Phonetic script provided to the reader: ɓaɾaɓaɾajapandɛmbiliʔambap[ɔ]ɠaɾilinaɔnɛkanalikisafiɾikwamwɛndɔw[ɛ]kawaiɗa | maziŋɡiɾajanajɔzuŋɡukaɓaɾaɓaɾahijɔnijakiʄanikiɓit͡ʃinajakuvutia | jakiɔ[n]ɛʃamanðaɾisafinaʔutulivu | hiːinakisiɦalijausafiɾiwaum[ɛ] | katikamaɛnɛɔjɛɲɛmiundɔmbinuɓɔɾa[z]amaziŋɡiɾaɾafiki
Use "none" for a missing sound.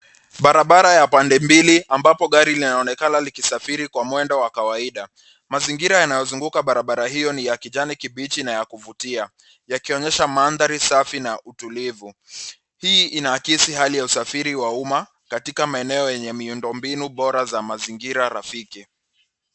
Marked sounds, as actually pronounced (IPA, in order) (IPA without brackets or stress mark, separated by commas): ɔ, a, ɲ, a, z